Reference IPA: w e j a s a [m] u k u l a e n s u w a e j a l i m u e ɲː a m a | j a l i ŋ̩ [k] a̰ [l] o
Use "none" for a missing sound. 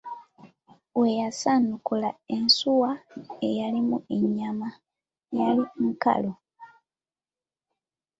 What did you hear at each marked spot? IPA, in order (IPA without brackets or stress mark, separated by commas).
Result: n, k, l